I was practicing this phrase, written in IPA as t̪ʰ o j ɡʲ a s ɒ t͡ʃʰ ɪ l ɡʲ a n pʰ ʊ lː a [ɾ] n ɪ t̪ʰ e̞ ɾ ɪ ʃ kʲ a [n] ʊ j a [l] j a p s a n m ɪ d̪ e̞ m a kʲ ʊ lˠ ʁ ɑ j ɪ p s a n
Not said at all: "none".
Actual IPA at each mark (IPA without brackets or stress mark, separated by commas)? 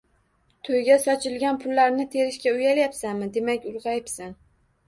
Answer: ɾ, none, l